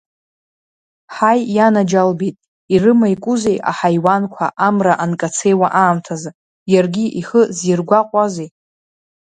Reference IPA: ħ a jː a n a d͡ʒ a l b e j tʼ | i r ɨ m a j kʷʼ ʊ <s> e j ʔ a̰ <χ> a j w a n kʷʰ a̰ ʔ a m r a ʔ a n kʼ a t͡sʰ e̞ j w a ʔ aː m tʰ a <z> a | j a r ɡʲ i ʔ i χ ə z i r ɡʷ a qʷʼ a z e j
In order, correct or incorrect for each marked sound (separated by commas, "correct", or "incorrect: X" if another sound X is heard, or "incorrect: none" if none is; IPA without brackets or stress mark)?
incorrect: z, incorrect: ħ, correct